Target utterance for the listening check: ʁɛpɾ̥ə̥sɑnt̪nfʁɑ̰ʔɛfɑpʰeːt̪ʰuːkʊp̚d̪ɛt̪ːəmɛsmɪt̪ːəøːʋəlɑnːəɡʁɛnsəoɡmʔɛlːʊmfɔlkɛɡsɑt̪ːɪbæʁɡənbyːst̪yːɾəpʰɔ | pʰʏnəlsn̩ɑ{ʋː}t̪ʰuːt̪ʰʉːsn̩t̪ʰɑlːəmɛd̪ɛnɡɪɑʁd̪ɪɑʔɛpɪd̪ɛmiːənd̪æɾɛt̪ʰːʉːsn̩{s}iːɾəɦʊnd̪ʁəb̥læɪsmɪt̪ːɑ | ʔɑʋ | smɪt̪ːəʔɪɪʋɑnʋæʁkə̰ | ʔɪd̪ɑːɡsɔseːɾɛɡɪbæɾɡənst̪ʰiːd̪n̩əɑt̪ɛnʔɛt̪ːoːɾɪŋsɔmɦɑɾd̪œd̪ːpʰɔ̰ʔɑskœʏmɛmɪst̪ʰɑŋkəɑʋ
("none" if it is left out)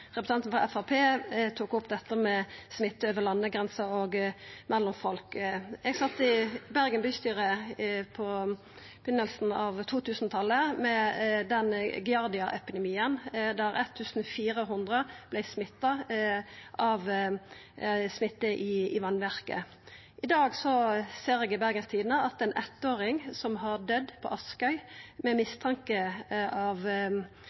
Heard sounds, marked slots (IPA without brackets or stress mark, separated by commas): ʋ, f